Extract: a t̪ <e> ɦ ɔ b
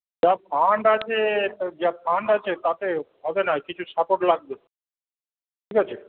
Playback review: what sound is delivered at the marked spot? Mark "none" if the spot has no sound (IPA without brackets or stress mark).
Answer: e